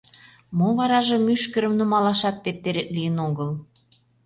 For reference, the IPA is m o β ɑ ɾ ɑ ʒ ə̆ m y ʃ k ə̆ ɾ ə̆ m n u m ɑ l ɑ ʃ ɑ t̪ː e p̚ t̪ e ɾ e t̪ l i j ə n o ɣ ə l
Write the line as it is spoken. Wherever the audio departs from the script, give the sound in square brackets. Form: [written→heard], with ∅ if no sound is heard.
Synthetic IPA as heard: m o β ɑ ɾ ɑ ʒ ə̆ m y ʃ k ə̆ ɾ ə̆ m n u m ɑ l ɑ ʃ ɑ t̪ː e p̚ t̪ e ɾ e t̪ l i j ə n o ɣ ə l